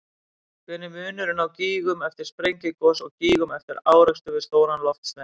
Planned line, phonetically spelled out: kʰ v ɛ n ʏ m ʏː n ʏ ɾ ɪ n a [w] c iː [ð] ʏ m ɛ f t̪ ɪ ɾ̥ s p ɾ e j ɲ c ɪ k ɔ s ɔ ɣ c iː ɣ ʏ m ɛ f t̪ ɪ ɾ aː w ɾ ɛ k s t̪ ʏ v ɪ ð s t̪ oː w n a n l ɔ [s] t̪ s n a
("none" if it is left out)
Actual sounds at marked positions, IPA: w, ɣ, f

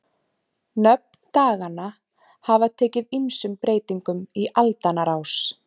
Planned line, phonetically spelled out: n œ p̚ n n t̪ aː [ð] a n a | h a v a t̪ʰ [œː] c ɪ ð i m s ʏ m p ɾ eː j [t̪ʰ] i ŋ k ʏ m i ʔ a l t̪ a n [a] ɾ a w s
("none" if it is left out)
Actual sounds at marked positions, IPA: ɣ, ɛː, t̪, a

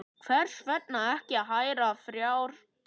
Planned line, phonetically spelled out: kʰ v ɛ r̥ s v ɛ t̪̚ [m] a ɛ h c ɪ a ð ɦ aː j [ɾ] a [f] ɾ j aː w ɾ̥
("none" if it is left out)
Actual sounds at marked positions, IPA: n, ɾ, f

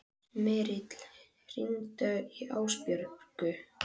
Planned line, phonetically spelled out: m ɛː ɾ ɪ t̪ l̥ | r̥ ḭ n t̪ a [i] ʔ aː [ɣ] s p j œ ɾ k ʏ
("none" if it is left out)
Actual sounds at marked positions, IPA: i, w

